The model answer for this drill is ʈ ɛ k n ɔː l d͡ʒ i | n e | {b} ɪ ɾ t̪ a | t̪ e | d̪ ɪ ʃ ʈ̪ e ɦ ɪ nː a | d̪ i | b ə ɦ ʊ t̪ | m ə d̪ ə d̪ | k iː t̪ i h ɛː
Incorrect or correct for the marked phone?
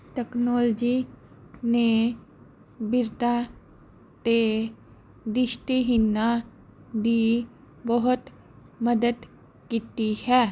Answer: correct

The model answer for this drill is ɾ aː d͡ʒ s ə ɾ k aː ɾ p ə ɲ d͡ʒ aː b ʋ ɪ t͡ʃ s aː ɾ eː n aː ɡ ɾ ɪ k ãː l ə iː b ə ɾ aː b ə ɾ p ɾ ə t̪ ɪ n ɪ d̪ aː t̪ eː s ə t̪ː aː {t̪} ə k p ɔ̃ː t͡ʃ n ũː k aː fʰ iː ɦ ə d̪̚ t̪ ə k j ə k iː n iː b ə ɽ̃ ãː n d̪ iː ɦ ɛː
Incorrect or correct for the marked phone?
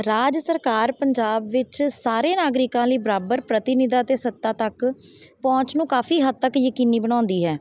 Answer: correct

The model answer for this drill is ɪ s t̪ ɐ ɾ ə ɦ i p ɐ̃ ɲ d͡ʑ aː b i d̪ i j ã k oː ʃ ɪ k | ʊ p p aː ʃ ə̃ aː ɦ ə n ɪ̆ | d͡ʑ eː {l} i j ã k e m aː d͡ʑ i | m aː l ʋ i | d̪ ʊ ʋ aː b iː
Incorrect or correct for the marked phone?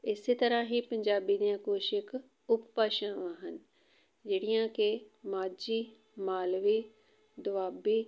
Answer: incorrect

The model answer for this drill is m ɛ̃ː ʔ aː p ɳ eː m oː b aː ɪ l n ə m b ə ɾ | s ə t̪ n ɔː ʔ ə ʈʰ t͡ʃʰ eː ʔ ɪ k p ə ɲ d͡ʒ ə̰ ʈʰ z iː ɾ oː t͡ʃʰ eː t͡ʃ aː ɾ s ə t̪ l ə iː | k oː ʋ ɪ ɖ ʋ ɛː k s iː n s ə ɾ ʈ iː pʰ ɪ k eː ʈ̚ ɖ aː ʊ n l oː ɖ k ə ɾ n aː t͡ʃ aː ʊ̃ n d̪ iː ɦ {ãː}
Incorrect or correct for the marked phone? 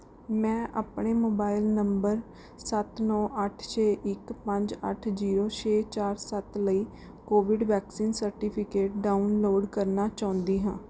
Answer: correct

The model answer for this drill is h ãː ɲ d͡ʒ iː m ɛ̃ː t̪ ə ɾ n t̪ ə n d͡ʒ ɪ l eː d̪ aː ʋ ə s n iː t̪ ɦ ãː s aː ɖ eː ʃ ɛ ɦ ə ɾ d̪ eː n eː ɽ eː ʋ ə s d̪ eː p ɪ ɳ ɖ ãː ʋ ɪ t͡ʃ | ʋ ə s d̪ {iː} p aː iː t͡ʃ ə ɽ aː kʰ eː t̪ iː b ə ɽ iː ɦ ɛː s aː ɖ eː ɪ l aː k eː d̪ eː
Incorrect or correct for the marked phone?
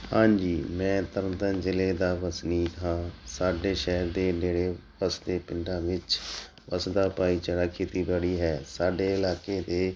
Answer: incorrect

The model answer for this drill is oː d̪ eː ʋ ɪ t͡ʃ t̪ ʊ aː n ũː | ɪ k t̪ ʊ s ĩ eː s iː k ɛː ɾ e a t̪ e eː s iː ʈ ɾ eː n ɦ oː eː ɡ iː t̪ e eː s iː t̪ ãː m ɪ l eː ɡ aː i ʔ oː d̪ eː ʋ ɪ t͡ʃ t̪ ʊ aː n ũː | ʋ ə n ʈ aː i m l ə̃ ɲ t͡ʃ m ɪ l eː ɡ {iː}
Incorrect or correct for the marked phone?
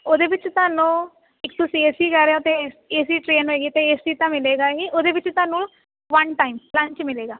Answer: incorrect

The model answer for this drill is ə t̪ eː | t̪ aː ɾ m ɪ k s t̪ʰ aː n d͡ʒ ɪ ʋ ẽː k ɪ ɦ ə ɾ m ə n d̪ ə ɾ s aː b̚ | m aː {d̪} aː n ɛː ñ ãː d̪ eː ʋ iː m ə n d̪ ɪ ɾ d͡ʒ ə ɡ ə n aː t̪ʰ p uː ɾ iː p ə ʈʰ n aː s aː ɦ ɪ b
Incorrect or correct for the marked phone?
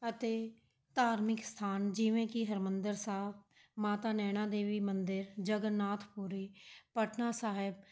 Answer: incorrect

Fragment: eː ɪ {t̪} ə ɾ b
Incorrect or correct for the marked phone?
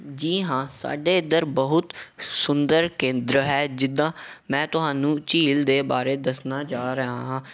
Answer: incorrect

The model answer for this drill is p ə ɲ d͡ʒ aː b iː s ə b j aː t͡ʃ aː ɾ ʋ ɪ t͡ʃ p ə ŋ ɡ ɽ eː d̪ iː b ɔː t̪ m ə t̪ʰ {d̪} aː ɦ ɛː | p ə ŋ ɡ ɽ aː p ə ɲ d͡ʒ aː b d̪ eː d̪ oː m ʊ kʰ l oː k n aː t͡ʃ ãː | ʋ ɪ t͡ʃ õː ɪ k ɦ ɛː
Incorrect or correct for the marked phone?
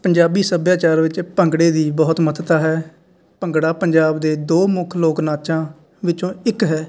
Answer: incorrect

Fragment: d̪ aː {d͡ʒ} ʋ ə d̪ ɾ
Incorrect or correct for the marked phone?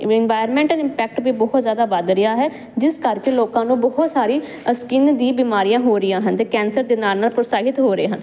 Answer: incorrect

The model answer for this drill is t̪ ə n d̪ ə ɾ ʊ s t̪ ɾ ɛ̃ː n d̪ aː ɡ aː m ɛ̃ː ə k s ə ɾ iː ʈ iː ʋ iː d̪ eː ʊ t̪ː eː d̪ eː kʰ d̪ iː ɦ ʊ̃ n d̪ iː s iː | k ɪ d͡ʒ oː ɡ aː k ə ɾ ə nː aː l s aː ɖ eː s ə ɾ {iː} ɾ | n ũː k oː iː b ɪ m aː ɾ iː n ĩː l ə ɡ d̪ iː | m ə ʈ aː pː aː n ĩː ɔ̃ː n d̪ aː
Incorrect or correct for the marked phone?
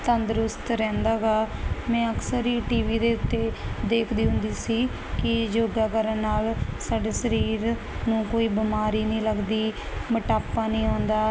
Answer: correct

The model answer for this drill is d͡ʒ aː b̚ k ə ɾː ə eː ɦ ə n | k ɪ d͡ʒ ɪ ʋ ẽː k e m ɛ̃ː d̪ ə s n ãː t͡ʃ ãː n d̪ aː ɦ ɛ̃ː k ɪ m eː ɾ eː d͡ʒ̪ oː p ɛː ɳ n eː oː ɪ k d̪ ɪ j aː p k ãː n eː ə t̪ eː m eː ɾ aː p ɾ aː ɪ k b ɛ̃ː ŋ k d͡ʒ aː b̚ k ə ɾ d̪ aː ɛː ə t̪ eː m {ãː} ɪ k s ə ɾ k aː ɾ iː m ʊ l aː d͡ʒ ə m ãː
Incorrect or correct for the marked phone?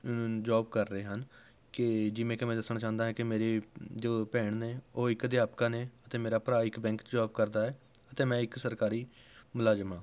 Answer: incorrect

